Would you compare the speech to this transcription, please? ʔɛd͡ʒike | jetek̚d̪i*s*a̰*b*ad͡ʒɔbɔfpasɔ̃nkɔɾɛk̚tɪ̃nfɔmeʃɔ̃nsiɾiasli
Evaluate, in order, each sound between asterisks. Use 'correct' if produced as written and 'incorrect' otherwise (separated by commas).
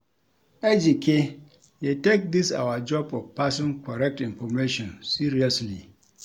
correct, incorrect